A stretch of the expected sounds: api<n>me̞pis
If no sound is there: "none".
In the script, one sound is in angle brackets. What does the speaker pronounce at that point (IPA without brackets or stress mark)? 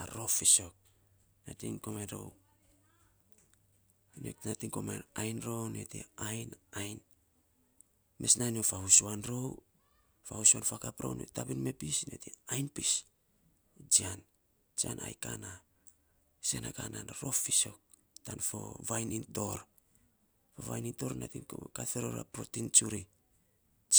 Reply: n